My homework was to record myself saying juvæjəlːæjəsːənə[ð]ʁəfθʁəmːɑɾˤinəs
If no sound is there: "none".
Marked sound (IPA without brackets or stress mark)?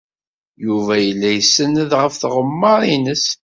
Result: ð